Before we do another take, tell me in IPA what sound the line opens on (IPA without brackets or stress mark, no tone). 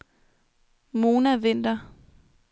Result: m